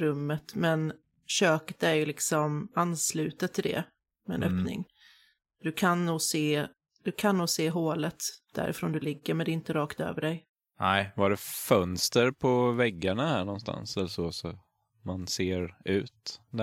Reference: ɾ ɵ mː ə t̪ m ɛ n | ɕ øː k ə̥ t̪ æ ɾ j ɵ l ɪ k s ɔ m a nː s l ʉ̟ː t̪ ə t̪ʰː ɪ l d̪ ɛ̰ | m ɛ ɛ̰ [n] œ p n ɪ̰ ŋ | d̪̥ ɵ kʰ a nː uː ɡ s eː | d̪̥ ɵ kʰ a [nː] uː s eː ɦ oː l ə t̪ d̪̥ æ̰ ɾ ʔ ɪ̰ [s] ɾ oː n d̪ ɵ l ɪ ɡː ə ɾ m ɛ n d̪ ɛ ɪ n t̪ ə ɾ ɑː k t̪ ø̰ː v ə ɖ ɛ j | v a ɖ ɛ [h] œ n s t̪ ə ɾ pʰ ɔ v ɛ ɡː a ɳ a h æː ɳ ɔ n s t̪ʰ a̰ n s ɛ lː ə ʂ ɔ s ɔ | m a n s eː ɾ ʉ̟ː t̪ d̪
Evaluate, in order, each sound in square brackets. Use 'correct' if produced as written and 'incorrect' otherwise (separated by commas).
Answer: correct, correct, incorrect, incorrect